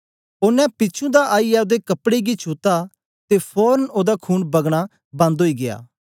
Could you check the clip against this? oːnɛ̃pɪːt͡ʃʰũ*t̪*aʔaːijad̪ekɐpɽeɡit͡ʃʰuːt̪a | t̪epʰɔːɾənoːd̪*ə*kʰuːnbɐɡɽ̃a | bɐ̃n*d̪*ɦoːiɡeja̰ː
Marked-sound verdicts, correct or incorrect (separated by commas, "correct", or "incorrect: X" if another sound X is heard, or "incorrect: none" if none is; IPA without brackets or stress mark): incorrect: d̪, incorrect: a, correct